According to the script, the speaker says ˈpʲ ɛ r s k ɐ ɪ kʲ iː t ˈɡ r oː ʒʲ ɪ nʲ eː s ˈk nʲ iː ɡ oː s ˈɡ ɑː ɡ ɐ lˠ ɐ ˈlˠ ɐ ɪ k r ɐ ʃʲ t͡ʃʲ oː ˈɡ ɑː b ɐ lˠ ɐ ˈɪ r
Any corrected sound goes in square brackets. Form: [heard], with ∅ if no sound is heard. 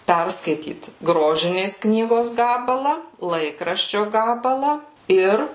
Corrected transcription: ˈpʲ ɛ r s k ɐ ɪ [tʲ] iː t ˈɡ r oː ʒʲ ɪ nʲ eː s ˈk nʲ iː ɡ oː s ˈɡ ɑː [b] ɐ lˠ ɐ ˈlˠ ɐ ɪ k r ɐ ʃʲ t͡ʃʲ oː ˈɡ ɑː b ɐ lˠ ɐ ˈɪ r